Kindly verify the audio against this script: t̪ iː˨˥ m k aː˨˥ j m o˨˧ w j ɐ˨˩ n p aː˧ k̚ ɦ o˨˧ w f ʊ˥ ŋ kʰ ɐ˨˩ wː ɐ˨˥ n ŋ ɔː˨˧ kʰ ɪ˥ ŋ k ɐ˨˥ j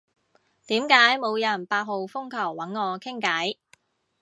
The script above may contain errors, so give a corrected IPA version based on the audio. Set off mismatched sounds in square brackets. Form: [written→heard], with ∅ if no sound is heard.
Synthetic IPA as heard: t̪ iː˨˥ m k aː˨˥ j m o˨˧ w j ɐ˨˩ n p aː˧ [k̚→t̚] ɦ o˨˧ w f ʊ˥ ŋ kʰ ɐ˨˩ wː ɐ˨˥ n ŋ ɔː˨˧ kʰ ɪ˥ ŋ k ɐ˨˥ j